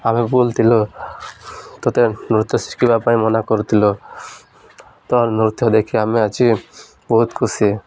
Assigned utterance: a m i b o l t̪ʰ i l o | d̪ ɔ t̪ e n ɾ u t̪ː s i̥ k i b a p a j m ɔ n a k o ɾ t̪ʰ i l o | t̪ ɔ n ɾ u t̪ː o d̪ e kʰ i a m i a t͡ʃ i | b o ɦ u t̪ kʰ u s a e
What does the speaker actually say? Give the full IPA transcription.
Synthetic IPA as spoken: a m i b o l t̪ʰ i l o | t̪ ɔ t̪ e n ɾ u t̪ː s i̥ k i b a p a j m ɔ n a k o ɾ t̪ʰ i l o | t̪ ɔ n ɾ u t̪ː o d̪ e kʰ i a m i a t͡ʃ i | b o ɦ u t̪ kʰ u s i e